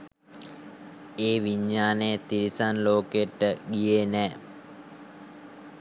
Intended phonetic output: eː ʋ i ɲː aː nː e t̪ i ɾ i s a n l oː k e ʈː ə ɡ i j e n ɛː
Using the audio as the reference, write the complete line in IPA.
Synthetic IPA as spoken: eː ʋ i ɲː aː n e t̪ i ɾ i s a n l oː k e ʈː ə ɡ i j e n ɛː